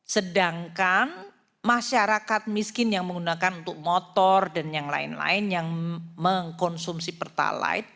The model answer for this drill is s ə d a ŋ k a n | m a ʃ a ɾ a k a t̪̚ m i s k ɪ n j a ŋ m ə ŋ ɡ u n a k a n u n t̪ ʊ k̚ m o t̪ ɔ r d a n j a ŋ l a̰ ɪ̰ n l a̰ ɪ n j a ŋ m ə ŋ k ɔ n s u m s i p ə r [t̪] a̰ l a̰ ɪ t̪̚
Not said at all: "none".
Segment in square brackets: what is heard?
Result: t̪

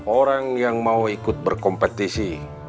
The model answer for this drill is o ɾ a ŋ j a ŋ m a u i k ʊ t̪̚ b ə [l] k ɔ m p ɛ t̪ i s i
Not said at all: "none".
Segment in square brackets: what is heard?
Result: r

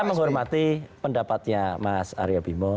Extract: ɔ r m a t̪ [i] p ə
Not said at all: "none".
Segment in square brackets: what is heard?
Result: i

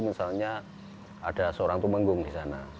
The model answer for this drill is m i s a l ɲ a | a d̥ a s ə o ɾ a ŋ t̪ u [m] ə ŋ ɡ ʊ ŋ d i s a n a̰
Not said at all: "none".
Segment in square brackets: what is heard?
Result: m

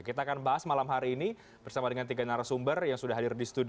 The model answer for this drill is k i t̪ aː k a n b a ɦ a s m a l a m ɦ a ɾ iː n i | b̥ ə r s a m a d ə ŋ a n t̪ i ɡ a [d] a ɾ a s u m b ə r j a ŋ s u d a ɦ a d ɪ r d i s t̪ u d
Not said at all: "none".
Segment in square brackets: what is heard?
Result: n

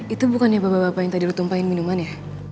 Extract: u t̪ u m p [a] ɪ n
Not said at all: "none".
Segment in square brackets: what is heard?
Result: a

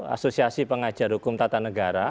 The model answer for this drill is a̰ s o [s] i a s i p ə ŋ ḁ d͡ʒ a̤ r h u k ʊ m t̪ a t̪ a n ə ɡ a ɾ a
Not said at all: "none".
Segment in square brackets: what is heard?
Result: s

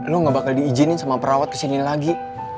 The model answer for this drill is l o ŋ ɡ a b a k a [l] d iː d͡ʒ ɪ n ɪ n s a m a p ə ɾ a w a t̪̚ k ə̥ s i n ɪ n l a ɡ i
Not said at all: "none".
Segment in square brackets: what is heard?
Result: l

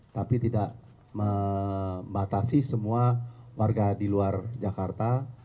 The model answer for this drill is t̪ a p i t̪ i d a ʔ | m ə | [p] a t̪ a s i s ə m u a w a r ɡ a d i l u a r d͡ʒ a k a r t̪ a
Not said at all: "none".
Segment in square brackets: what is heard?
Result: b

